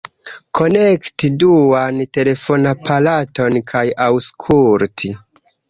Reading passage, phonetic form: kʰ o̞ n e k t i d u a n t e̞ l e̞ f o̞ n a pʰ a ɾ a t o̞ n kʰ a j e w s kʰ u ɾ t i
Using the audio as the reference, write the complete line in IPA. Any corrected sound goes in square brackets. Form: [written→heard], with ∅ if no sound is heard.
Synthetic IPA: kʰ o̞ n e k t i d u a n t e̞ l e̞ f o̞ n a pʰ a [ɾ→l] a t o̞ n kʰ a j [e→a] w s kʰ u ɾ t i